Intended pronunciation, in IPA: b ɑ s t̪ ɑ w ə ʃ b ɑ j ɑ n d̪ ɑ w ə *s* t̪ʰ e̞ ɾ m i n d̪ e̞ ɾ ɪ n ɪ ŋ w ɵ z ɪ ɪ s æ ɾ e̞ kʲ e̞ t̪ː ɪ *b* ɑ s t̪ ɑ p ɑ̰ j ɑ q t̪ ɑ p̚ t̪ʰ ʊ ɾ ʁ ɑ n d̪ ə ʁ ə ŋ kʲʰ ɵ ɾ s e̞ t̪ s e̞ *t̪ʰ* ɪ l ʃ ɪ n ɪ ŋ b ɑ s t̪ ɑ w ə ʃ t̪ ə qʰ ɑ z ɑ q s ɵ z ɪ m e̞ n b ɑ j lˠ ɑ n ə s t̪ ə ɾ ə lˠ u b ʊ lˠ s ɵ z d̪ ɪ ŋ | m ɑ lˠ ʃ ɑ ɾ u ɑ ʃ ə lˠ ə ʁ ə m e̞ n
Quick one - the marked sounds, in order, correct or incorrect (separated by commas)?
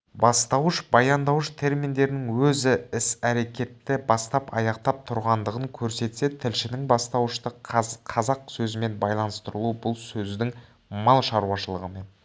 incorrect, correct, correct